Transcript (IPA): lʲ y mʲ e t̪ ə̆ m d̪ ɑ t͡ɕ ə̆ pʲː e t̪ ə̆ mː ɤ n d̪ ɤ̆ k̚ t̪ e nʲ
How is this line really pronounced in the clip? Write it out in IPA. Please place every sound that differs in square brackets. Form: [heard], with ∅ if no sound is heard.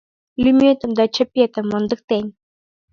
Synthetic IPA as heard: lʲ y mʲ e t̪ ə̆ m d̪ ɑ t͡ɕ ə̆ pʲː e t̪ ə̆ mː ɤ n d̪ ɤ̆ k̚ t̪ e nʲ